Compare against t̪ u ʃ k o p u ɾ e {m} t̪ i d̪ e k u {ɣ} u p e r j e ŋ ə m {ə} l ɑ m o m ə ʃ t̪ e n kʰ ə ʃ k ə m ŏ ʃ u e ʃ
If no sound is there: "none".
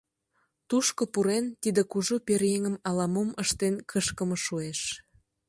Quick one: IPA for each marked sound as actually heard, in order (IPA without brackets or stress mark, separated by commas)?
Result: n, ʒ, ɑ